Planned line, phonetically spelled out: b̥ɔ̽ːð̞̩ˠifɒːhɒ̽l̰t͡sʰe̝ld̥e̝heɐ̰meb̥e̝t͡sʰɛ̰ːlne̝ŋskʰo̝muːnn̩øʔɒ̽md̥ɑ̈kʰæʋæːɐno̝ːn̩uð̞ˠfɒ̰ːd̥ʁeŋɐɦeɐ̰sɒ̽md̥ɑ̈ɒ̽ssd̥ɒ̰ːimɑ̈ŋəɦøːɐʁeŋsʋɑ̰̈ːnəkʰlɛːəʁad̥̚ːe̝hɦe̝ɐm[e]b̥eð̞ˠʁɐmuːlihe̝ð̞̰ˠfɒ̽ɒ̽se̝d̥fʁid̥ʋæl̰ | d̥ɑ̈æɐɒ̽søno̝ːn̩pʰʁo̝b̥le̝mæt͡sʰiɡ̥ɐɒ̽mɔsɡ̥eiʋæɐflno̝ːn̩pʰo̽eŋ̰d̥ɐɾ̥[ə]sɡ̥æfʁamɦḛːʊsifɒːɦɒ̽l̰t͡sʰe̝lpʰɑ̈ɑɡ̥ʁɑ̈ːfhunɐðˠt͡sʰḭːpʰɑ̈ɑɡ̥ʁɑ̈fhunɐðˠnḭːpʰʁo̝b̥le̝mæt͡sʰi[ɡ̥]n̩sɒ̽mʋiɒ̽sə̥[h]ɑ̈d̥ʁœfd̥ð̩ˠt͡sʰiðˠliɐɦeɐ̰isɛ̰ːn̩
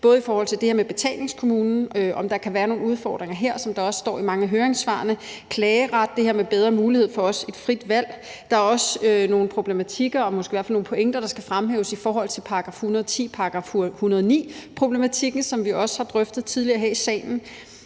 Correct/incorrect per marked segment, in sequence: correct, incorrect: ɑ, correct, correct

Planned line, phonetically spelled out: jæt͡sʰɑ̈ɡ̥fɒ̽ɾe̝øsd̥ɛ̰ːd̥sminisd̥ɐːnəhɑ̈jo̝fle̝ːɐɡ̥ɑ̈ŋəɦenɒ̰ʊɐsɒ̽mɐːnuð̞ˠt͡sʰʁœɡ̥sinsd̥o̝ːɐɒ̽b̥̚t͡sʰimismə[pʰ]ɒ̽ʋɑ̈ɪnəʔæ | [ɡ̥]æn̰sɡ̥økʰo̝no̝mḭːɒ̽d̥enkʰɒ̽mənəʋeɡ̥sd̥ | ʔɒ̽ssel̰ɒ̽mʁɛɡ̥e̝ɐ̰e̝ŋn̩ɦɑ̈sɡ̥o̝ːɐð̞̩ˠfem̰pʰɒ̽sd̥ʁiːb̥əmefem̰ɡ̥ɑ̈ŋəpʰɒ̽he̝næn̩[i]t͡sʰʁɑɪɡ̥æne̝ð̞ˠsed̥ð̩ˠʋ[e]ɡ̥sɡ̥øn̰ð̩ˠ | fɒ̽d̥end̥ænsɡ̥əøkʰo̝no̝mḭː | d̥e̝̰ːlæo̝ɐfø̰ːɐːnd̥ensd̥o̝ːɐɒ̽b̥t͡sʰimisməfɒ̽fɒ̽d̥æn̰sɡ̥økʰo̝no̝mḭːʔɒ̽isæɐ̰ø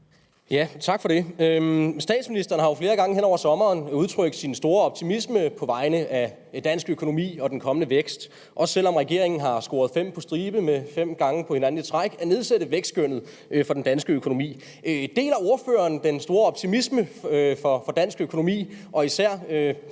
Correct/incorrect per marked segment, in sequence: correct, incorrect: d̥, correct, correct

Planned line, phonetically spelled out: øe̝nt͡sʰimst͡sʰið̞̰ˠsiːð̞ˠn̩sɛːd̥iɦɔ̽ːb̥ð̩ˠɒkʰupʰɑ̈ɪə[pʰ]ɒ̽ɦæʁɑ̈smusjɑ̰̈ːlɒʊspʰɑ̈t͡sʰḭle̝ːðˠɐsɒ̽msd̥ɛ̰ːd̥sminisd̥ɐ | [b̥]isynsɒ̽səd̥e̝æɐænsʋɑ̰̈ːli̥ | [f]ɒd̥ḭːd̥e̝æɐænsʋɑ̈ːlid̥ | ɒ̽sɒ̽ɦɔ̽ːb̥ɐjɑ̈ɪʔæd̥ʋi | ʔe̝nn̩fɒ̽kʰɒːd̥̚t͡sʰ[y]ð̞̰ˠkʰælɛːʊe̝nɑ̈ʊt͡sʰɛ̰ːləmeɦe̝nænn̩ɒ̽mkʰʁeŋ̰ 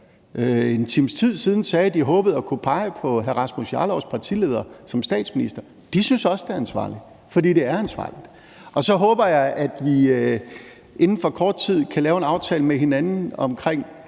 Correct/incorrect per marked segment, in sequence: correct, incorrect: d̥, correct, incorrect: i

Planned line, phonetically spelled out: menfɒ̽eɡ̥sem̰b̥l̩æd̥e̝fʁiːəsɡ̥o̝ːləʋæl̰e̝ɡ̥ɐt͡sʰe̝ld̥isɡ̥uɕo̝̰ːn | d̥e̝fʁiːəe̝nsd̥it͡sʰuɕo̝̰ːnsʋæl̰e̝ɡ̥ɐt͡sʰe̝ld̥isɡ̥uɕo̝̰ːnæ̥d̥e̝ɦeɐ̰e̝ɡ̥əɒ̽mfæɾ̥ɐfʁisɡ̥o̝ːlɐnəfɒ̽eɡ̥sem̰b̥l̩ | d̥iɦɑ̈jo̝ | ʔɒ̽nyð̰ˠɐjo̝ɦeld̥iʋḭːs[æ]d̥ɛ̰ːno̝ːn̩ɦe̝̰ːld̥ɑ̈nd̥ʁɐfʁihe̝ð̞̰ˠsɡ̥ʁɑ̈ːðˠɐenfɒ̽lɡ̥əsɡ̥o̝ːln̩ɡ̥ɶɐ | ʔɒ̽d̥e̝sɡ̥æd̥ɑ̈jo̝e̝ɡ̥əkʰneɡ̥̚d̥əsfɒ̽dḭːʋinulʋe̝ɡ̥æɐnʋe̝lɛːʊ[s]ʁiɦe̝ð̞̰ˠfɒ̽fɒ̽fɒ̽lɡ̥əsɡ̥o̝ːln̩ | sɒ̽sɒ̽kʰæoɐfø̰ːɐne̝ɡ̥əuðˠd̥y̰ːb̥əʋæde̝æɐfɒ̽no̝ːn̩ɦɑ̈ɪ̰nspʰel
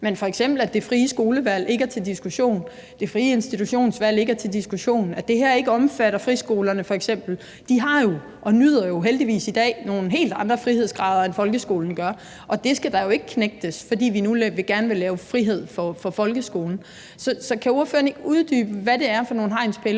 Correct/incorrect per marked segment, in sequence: incorrect: i, incorrect: f

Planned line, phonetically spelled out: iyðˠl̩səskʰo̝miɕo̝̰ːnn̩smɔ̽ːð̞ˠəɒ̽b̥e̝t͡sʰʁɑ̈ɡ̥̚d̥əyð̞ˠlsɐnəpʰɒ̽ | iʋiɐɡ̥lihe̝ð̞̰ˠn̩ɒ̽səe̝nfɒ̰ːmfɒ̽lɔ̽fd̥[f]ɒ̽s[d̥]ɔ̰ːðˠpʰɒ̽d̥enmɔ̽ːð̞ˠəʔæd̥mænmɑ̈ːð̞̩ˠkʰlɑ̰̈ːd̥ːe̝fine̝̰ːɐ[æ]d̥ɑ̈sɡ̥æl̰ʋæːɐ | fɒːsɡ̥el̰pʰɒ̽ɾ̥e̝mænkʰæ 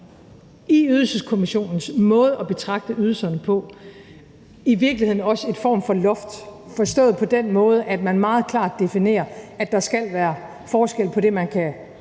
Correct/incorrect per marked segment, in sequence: correct, correct, correct

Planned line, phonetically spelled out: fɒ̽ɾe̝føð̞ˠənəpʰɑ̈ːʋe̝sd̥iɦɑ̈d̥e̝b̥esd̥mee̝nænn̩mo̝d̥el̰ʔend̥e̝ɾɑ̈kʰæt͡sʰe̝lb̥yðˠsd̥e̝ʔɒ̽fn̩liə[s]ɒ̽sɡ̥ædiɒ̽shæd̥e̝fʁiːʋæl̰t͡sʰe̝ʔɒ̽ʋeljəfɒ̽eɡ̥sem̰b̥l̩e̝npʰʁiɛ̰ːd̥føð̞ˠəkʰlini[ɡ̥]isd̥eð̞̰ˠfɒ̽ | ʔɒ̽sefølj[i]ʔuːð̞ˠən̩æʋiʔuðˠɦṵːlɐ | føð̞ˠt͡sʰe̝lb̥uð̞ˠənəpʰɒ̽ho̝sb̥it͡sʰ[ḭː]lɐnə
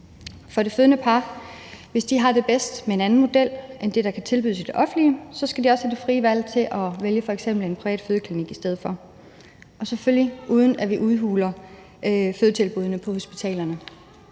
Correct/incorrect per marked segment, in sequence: correct, correct, correct, incorrect: ɛ̰ː

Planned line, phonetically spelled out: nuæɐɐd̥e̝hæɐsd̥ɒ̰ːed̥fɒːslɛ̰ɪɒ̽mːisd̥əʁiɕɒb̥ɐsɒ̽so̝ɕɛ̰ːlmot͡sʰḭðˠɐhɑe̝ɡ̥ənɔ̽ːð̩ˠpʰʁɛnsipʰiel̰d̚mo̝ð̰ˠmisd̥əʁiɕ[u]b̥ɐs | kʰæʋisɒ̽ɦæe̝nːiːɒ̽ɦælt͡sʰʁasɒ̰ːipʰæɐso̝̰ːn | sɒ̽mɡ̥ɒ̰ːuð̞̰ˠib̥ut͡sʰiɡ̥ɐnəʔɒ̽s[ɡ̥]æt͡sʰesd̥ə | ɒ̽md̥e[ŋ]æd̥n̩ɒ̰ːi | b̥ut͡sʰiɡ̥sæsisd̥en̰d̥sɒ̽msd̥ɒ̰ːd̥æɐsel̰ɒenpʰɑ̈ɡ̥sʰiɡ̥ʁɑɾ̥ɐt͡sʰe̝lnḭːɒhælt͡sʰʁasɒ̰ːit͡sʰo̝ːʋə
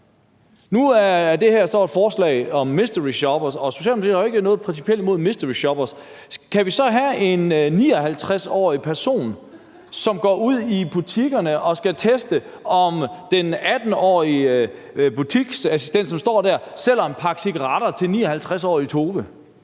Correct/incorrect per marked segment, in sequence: incorrect: ɒ, correct, incorrect: n

